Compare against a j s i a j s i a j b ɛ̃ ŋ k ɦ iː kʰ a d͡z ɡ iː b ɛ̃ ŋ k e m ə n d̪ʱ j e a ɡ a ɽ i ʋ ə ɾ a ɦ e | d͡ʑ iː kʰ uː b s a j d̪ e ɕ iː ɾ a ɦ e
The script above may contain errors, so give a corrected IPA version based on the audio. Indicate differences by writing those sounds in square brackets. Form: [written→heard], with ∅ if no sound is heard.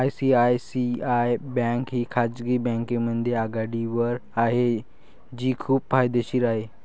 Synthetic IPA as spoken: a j s i a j s i a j b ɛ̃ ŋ k ɦ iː kʰ a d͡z ɡ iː b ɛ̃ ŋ k e m ə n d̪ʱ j e a ɡ a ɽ i ʋ ə ɾ a ɦ e | d͡ʑ iː kʰ uː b [s→f] a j d̪ e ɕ iː ɾ a ɦ e